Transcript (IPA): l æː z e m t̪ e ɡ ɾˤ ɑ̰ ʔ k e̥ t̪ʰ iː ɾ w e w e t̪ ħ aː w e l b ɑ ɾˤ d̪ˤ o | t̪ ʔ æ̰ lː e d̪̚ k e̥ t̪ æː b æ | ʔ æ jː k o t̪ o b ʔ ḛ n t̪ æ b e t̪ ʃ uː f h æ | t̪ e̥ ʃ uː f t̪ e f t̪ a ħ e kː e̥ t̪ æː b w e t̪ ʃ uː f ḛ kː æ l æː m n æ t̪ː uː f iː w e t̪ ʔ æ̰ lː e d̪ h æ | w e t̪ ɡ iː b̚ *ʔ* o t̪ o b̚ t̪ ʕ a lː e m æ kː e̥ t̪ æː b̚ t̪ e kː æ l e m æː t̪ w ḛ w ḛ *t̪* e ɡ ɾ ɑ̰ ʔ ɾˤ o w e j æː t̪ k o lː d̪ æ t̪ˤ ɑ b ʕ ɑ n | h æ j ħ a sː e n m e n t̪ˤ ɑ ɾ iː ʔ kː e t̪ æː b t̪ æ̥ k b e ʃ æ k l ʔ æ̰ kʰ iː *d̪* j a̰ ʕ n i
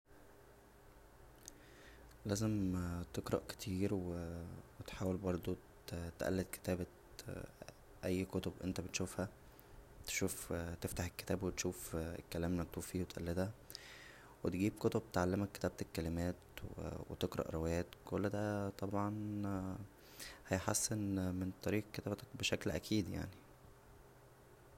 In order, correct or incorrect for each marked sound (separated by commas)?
incorrect, correct, correct